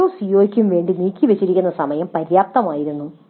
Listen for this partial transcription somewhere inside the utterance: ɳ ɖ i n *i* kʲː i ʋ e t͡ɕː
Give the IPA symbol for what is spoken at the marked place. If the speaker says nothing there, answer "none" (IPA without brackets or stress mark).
iː